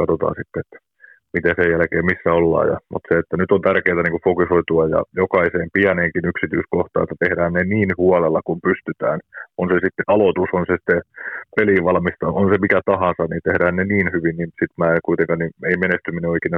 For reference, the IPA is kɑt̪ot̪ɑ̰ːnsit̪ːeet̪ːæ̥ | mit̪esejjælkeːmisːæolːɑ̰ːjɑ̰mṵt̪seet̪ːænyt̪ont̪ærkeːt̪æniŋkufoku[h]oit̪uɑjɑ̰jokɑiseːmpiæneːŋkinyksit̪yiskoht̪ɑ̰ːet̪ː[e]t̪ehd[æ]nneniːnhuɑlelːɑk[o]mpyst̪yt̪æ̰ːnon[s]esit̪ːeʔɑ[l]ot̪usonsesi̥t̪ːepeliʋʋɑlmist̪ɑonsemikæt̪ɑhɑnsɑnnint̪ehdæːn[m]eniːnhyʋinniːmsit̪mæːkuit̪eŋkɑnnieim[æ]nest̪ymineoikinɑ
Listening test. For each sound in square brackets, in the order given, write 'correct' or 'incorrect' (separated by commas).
incorrect, incorrect, incorrect, incorrect, correct, correct, incorrect, incorrect